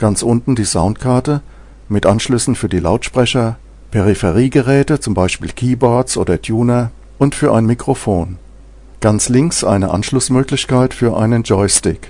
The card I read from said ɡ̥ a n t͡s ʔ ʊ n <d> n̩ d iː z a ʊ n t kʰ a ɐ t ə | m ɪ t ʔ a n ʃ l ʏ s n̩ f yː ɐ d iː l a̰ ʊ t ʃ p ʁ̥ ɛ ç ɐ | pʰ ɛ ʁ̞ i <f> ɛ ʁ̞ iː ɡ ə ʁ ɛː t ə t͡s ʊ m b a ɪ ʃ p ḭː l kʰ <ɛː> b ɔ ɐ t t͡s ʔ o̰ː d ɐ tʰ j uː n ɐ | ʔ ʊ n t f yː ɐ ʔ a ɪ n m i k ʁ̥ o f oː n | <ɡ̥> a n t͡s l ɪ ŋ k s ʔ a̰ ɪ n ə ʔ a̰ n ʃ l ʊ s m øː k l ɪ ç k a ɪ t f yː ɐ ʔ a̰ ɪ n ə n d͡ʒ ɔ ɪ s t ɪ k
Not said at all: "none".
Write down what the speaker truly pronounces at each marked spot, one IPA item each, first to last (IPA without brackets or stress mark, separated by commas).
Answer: t, f, iː, ɡ̥